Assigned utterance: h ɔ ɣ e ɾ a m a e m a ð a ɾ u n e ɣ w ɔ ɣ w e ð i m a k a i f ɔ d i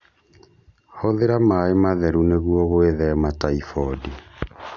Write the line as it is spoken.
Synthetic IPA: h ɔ ð e ɾ a m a e m a ð ɛ ɾ u n e ɣ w ɔ ɣ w e ð ɛ m a t a i f ɔ d i